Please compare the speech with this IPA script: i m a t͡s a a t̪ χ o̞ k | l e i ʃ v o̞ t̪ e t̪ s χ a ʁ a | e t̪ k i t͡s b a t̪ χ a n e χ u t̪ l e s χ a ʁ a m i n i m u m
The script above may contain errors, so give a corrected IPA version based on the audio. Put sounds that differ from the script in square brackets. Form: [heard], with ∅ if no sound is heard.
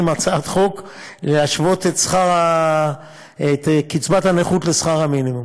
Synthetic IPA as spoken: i m a t͡s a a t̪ χ o̞ k | l e [a] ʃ v o̞ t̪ e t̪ s χ a ʁ a | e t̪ k i t͡s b a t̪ [h] a n e χ u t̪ l e s χ a ʁ a m i n i m u m